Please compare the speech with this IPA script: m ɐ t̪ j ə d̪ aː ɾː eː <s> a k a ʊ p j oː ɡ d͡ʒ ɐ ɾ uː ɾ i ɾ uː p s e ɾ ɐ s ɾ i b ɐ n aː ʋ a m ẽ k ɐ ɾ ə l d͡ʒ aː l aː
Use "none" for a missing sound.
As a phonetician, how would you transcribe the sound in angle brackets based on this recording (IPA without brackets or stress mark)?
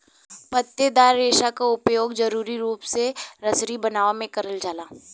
ʃ